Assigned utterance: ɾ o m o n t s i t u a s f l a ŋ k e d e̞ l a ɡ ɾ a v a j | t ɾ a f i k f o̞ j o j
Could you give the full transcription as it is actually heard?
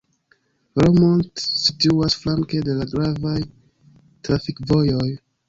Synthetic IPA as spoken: ɾ o m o n t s i t u a s f l a ŋ k e d e̞ l a ɡ ɾ a v a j | t ɾ a f i k v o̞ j o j